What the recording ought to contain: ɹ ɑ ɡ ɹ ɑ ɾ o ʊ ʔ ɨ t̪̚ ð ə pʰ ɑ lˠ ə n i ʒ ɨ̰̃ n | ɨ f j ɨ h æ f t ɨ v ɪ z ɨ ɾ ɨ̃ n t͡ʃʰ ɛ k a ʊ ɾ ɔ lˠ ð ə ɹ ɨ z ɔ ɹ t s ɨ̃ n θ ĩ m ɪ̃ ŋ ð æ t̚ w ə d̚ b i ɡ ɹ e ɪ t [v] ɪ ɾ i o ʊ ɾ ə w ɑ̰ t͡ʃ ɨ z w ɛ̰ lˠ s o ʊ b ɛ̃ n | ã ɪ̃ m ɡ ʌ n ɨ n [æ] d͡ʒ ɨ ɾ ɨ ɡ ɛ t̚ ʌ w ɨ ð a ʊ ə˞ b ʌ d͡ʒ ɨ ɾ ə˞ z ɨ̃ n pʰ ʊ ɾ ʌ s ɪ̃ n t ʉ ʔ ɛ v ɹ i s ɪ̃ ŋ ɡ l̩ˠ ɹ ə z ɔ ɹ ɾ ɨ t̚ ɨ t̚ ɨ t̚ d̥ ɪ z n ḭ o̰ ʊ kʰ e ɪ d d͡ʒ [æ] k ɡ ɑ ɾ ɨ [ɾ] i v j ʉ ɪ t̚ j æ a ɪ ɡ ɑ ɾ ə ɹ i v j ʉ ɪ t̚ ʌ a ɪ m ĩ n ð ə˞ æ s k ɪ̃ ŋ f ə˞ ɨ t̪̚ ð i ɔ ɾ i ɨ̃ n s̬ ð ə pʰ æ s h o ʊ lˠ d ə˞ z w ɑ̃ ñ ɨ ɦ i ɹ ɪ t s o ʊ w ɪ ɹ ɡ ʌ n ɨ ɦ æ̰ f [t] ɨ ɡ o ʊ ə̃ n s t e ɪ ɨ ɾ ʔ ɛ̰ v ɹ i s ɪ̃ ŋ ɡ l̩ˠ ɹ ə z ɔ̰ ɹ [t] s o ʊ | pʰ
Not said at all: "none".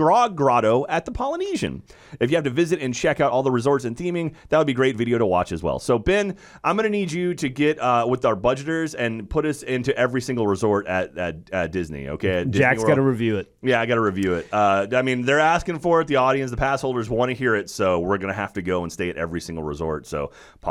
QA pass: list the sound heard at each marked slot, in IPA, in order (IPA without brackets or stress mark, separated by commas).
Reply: v, i, æ, ɹ, t, t